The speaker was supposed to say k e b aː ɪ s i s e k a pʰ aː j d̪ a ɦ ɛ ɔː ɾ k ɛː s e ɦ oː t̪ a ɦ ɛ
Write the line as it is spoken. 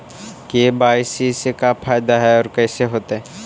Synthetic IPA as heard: k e b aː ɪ s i s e k a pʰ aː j d̪ a ɦ ɛ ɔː ɾ k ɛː s e ɦ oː t̪ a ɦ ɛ